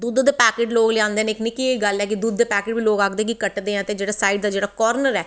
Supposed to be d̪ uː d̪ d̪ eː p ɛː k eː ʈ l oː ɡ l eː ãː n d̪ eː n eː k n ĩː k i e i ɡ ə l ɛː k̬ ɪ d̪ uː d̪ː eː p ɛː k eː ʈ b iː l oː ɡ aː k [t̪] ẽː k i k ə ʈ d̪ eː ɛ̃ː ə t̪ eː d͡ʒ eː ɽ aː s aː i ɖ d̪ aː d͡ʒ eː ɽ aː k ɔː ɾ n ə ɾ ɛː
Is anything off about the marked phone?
yes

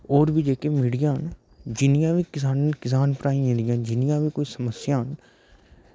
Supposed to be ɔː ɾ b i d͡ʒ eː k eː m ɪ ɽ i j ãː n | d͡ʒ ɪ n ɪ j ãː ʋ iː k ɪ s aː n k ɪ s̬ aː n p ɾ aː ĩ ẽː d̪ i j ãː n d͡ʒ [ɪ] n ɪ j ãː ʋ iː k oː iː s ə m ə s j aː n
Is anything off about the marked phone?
no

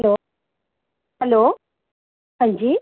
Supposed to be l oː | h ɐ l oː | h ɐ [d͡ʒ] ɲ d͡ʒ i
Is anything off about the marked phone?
yes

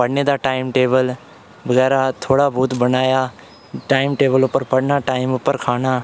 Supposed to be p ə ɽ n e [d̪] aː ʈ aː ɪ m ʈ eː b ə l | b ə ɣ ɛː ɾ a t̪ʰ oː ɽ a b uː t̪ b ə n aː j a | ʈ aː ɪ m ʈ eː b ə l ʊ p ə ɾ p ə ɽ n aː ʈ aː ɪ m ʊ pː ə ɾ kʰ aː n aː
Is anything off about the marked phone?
no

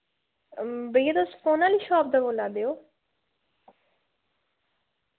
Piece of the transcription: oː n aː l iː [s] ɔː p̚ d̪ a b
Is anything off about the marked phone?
yes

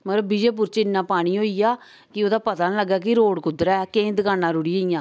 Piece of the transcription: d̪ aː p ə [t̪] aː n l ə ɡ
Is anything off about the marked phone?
no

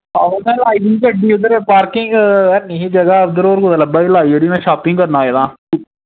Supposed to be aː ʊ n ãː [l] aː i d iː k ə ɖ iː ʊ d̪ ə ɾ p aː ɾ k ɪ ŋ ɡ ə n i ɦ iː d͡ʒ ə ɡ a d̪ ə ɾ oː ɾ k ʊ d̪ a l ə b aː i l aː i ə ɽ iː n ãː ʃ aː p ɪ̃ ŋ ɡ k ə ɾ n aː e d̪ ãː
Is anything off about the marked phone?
no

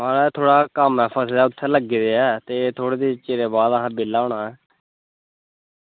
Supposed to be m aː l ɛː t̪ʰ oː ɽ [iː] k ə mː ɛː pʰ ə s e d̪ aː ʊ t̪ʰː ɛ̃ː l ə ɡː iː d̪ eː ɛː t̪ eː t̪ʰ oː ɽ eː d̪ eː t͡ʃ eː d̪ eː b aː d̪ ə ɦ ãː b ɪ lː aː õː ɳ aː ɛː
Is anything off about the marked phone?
yes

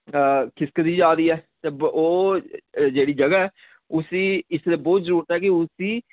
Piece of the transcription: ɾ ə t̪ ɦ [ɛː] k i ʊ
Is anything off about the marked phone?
no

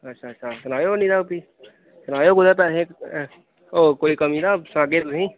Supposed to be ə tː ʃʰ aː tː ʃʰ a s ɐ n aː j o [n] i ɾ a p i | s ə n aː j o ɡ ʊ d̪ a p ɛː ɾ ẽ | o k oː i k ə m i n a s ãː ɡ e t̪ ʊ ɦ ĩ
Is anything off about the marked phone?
no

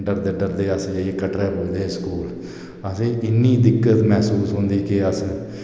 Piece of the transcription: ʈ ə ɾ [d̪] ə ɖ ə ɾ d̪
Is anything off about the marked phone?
no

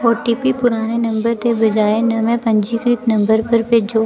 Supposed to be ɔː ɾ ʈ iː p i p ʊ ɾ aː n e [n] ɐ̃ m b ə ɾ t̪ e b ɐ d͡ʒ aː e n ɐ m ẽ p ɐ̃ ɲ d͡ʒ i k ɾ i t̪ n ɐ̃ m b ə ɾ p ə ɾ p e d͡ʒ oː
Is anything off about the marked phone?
no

